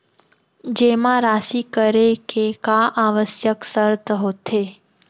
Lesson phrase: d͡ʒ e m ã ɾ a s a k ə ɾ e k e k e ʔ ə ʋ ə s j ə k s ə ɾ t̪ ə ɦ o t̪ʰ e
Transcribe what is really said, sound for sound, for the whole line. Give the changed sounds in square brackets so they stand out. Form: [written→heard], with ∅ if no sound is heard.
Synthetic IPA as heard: d͡ʒ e m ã ɾ a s [a→i] k ə ɾ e k e k [e→a] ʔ [ə→a] ʋ ə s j ə k s ə ɾ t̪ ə ɦ o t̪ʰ e